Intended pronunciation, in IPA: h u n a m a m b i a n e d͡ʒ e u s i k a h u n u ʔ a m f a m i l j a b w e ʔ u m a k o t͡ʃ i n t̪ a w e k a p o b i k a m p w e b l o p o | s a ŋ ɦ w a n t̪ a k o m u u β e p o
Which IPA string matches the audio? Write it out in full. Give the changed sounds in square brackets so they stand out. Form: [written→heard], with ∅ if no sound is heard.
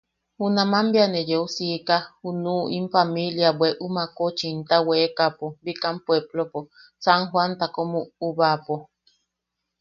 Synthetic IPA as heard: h u n a m a m b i a n e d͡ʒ e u s i k a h u n u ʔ [a→i] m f a m i l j a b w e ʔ u m a k o t͡ʃ i n t̪ a w e k a p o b i k a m p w e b l o p o | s a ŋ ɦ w a n t̪ a k o m u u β [e→a] p o